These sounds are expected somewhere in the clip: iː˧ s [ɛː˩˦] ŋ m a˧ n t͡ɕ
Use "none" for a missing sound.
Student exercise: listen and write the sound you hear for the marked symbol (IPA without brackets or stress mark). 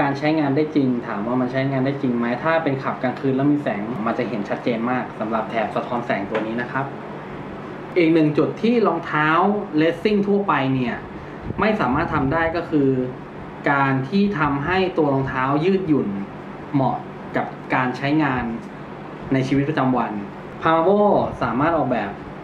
ɛː˩˦